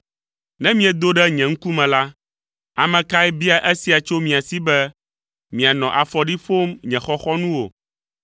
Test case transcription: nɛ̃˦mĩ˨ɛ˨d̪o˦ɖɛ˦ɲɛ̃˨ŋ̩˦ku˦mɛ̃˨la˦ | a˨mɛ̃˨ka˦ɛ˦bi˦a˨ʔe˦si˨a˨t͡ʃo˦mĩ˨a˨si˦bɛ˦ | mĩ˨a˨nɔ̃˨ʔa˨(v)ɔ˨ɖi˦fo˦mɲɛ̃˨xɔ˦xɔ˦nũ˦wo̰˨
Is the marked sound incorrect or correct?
incorrect: f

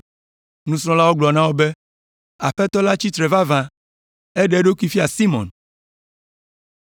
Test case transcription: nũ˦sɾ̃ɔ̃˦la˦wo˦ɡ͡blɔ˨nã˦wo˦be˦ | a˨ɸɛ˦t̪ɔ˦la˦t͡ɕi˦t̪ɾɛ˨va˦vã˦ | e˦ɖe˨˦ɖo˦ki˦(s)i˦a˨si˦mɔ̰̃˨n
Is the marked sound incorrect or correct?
incorrect: f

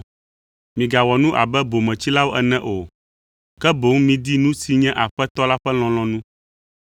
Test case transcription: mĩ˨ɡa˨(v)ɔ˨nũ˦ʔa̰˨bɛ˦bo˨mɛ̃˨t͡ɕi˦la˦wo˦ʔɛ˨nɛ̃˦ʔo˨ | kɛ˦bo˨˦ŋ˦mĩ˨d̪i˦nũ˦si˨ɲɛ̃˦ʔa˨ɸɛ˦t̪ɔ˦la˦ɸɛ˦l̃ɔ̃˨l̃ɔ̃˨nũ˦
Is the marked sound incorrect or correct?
incorrect: w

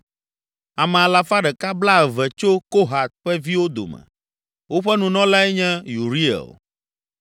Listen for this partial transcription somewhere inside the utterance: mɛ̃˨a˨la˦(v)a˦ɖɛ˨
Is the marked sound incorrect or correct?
incorrect: f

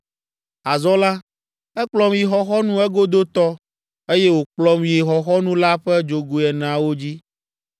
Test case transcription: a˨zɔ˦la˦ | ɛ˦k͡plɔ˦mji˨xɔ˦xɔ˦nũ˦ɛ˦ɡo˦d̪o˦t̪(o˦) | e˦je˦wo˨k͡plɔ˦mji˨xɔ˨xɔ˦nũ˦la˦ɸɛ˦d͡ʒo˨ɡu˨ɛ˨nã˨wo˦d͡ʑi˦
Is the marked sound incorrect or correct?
incorrect: ɔ˦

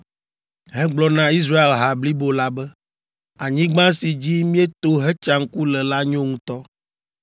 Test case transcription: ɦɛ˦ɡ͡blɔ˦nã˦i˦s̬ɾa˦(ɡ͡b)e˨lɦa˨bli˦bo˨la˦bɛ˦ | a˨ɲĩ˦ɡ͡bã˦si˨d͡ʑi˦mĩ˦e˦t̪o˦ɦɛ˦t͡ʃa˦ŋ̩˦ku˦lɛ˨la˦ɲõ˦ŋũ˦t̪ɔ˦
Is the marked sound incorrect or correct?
incorrect: none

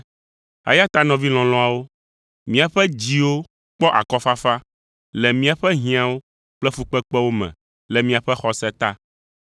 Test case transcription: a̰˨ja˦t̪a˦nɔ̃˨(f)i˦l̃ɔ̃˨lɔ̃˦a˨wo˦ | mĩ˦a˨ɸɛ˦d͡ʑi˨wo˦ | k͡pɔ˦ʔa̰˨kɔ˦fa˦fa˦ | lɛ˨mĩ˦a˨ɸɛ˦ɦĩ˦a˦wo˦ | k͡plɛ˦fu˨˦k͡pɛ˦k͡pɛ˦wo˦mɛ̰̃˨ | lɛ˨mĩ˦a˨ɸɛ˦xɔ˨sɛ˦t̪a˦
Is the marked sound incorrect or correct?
incorrect: v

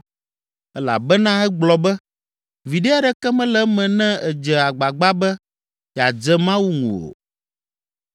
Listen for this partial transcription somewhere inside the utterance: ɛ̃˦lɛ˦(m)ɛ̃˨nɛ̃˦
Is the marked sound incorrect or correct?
correct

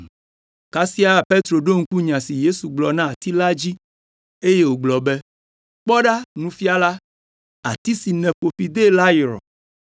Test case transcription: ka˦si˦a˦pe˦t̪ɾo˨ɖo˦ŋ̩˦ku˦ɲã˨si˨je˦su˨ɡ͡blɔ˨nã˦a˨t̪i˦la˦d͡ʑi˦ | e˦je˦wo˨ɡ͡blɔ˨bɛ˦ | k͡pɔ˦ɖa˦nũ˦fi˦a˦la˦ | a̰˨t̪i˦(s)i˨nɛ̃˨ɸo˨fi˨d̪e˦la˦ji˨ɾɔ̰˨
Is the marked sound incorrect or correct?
correct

